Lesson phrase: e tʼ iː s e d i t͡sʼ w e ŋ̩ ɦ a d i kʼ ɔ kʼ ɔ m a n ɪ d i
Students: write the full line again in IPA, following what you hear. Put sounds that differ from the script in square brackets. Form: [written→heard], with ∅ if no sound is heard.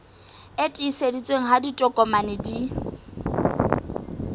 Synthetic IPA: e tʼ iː s e d i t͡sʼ w e ŋ̩ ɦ a d i [kʼ→tʼ] ɔ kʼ ɔ m a n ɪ d i